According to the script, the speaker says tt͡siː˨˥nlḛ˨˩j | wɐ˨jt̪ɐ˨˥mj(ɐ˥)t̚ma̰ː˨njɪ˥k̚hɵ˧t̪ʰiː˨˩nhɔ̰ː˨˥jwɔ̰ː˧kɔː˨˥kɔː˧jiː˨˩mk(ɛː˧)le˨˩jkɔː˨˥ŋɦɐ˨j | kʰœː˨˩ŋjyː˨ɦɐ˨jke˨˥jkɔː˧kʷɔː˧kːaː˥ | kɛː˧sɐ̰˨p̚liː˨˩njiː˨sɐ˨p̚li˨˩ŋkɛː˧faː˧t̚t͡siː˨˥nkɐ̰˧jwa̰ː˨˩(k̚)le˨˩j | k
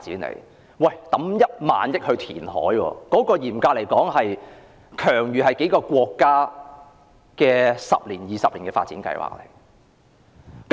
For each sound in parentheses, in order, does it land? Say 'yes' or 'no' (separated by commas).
yes, no, yes